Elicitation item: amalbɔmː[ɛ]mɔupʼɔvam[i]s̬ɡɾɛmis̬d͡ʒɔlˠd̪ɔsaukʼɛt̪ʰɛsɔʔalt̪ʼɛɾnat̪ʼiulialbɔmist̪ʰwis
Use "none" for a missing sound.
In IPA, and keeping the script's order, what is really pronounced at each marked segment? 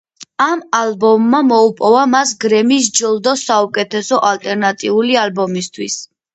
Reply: a, a

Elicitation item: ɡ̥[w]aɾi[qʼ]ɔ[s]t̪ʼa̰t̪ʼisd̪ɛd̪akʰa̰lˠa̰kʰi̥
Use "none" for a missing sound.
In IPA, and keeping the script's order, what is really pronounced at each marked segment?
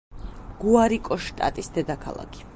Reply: u, kʼ, ʃ

